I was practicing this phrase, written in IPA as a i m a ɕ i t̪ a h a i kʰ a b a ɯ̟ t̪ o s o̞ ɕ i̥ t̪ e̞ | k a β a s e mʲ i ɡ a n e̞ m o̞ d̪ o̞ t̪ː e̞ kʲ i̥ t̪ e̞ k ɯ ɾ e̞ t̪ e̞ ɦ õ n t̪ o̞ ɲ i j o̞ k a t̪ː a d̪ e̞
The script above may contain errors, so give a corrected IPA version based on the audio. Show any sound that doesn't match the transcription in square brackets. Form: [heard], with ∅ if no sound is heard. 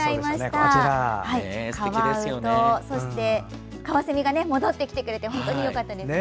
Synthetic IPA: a i m a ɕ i t̪ a h a i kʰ a [β] a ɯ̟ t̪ o s o̞ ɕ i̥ t̪ e̞ | k a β a s e mʲ i ɡ a n e̞ m o̞ d̪ o̞ t̪ː e̞ kʲ i̥ t̪ e̞ k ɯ ɾ e̞ t̪ e̞ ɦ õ n t̪ o̞ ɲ i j o̞ k a t̪ː a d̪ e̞